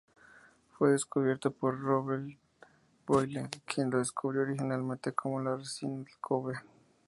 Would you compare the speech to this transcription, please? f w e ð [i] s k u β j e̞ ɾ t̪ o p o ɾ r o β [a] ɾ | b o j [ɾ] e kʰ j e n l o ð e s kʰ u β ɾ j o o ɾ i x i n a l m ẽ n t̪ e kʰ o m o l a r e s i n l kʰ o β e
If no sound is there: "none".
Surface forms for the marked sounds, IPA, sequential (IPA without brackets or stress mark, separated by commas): e, e, l